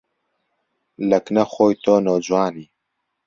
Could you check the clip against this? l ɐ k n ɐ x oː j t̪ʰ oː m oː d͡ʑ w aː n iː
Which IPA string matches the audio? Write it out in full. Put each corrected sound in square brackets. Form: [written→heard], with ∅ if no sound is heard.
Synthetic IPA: l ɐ k n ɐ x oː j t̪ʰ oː [m→n] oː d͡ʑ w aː n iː